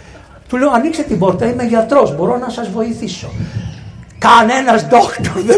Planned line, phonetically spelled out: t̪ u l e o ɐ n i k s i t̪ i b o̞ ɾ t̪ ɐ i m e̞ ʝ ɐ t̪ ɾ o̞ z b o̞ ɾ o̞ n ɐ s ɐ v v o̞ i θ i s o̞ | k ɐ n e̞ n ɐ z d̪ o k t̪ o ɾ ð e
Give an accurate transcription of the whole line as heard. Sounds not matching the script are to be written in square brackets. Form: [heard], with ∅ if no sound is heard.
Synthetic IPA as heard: t̪ u l e o ɐ n i k s [e] t̪ i b o̞ ɾ t̪ ɐ i m e̞ ʝ ɐ t̪ ɾ o̞ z b o̞ ɾ o̞ n ɐ s ɐ [z] v o̞ i θ i s o̞ | k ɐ n e̞ n ɐ z d̪ o k t̪ o ɾ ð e